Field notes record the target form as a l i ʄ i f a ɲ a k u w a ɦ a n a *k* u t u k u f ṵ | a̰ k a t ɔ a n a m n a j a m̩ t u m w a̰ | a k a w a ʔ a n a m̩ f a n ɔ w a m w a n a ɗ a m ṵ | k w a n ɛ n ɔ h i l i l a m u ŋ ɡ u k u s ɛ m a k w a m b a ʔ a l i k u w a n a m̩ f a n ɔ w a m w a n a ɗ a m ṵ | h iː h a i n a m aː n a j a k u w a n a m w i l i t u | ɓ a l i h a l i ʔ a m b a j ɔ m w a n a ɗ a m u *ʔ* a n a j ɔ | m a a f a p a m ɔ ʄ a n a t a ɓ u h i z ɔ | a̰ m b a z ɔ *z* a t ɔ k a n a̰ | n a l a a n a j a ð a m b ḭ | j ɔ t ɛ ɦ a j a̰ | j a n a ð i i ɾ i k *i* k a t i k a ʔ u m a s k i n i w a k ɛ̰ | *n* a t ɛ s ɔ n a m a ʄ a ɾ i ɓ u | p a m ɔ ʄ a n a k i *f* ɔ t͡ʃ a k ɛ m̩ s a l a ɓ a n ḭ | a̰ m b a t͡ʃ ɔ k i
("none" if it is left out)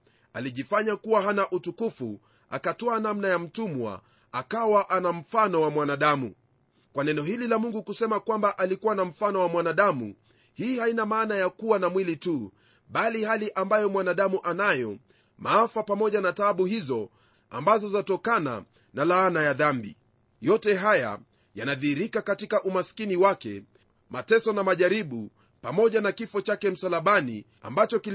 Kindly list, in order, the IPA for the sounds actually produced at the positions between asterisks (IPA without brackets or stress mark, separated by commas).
ʔ, ʔ, z, a, m, f